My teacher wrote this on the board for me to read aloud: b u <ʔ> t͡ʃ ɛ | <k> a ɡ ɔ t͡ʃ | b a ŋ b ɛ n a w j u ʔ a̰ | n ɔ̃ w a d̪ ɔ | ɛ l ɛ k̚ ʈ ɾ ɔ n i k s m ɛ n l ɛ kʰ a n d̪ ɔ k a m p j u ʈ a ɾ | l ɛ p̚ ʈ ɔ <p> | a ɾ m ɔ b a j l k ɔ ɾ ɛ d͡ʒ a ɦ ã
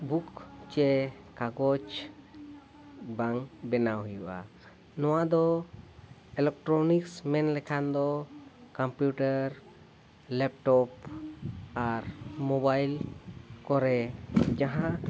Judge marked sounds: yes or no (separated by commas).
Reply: no, yes, yes